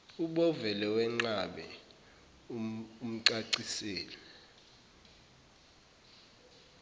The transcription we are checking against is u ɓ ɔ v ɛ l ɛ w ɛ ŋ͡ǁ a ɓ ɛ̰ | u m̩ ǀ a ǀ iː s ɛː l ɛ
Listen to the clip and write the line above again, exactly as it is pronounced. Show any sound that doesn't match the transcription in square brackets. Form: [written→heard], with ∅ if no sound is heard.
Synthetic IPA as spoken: u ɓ ɔ v ɛ l ɛ w ɛ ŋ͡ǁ a ɓ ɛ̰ | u m̩ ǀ a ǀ [iː→i] s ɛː l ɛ